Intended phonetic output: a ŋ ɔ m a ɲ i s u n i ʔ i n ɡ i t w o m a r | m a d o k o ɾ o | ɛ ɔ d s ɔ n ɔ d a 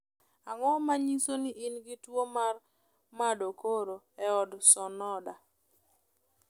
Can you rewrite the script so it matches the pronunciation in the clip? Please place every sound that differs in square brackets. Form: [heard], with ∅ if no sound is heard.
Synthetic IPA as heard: a ŋ ɔ m a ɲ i s [o] n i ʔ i n ɡ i t w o m a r | m a d o k o ɾ o | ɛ ɔ d s ɔ n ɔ d a